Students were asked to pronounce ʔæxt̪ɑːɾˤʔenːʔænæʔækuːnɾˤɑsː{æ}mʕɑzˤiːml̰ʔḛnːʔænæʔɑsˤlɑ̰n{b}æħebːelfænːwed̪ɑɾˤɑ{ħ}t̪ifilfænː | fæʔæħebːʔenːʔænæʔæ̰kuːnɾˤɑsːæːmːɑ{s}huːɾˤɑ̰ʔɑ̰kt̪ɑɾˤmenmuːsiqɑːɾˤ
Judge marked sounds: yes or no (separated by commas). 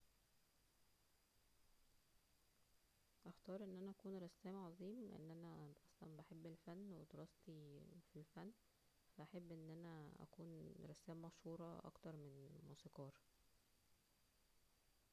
no, yes, no, no